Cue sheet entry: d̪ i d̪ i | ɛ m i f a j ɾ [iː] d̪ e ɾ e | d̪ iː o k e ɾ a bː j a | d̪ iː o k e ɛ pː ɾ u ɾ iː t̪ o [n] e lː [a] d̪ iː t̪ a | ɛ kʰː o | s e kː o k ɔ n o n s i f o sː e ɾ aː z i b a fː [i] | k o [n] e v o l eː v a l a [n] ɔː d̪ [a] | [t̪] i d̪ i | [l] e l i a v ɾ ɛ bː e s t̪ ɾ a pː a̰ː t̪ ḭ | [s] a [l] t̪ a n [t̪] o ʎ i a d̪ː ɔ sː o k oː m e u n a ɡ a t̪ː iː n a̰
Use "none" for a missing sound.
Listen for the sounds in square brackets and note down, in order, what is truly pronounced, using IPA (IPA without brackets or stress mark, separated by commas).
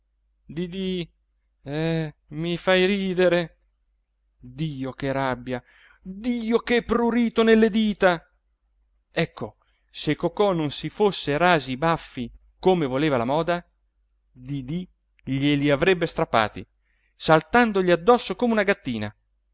iː, n, e, i, m, m, a, d̪, ʎ, s, l, d̪